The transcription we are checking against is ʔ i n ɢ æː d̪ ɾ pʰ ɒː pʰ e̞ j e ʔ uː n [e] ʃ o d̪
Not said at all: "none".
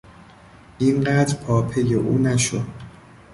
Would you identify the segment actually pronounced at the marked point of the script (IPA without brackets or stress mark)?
æ